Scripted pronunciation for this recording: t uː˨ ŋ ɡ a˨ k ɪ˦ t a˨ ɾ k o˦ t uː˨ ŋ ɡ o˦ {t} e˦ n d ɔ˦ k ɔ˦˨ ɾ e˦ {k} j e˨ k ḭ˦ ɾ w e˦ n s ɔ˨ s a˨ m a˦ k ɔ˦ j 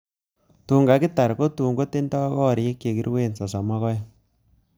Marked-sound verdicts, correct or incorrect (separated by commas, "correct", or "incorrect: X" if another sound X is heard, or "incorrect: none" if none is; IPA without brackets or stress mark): correct, correct